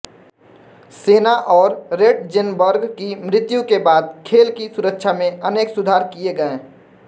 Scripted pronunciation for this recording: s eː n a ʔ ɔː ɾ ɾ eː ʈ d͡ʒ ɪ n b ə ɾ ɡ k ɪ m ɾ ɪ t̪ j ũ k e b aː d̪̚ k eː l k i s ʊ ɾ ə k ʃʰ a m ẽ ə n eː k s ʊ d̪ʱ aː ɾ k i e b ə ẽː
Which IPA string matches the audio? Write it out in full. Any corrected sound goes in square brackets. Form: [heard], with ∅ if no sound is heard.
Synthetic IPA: s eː n a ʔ ɔː ɾ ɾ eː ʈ d͡ʒ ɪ n b ə ɾ ɡ k [i] m ɾ ɪ t̪ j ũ k e b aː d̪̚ [kʰ] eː l k i s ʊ ɾ ə k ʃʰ a m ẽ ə n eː k s ʊ d̪ʱ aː ɾ k i e [ɡ] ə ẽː